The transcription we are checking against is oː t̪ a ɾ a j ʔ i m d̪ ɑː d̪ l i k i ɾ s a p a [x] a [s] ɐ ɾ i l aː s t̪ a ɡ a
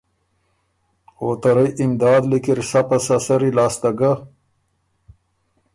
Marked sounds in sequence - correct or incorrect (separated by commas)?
incorrect, correct